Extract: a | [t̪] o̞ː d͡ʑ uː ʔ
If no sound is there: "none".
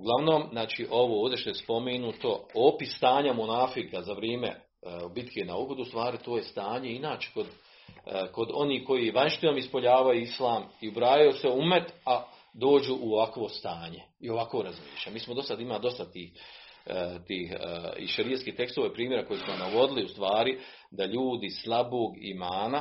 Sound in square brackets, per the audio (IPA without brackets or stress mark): d̪